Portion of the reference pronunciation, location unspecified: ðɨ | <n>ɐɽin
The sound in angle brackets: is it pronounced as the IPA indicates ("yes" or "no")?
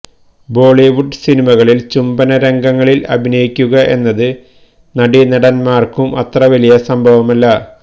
yes